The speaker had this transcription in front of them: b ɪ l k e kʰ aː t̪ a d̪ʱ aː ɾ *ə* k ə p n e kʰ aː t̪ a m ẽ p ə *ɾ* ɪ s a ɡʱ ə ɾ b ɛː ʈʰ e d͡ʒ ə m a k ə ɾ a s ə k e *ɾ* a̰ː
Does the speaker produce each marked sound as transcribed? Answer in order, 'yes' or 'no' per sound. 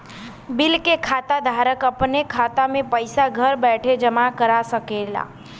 yes, no, no

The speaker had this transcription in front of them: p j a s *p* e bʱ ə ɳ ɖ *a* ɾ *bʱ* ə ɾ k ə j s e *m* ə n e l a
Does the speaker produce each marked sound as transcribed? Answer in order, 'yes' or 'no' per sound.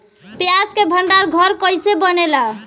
no, yes, no, no

